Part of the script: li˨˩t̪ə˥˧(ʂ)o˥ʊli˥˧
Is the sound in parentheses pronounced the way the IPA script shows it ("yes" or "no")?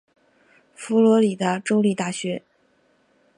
no